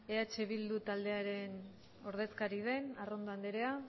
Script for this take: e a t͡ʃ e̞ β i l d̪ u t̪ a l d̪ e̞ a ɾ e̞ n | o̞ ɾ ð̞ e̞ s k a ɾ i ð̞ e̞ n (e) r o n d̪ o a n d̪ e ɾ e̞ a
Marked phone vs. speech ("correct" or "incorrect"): incorrect